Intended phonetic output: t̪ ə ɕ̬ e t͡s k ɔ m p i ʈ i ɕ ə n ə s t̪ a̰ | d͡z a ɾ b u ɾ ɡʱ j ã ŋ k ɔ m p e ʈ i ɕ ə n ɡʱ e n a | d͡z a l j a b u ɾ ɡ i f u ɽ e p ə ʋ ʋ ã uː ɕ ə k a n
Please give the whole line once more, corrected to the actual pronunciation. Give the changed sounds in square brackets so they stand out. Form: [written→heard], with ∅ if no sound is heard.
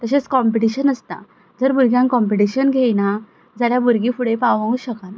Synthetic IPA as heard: t̪ ə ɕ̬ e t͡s k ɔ m p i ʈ i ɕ ə n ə s t̪ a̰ | d͡z [a→ə] ɾ b u ɾ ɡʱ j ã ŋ k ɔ m p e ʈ i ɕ ə n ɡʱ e n a | d͡z a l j a b u ɾ ɡ i f u ɽ e p [ə→a] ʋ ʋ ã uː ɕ ə k a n